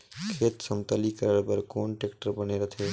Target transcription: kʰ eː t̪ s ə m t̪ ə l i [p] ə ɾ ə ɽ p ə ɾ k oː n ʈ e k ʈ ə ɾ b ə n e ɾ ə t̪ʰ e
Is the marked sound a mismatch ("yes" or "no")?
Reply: yes